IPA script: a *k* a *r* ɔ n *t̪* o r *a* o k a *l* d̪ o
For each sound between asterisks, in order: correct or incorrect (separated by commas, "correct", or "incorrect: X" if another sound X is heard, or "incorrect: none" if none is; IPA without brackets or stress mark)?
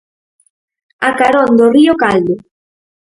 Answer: correct, incorrect: ɾ, incorrect: d̪, incorrect: i, correct